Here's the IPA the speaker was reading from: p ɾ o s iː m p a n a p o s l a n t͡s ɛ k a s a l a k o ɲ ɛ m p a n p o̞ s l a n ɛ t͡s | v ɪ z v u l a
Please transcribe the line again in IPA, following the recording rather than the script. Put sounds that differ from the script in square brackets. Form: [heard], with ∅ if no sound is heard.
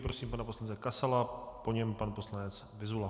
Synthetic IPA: p ɾ o s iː m p a n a p o s l a n t͡s ɛ k a s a l a [p] o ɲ ɛ m p a n p o̞ s l a n ɛ t͡s | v ɪ z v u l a